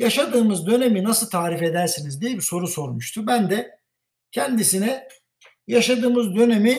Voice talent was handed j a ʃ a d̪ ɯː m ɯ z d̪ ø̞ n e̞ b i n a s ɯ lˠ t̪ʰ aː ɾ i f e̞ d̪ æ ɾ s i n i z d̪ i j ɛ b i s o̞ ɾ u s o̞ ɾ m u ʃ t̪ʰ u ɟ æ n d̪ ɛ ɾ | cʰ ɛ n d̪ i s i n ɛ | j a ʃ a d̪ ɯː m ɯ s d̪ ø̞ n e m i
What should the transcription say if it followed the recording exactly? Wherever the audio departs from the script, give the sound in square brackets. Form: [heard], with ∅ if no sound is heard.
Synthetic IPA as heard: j a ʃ a d̪ ɯː m ɯ z d̪ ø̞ n e̞ [m] i n a s ɯ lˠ t̪ʰ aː ɾ i f e̞ d̪ æ ɾ s i n i z d̪ i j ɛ b i s o̞ ɾ u s o̞ ɾ m u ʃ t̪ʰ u [b] æ n d̪ ɛ [∅] | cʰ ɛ n d̪ i s i n ɛ | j a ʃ a d̪ ɯː m ɯ [z] d̪ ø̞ n e m i